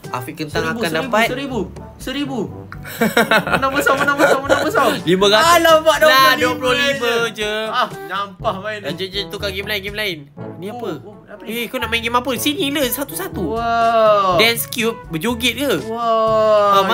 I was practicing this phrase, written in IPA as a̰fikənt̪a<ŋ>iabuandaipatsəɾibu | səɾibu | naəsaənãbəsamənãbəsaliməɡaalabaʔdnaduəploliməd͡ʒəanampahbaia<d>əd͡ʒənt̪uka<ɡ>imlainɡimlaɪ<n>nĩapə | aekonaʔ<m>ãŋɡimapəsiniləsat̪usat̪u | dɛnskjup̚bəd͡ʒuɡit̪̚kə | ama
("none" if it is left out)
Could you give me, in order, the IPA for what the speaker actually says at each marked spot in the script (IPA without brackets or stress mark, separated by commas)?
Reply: ŋ, d͡ʒ, ɡ, n, m